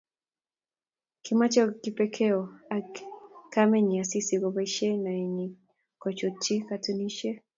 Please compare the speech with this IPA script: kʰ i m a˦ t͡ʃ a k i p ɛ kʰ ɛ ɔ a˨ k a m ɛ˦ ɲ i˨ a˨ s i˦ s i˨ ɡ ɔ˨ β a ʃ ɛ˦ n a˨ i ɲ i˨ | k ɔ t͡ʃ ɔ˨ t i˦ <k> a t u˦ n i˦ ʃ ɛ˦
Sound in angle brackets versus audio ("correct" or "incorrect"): correct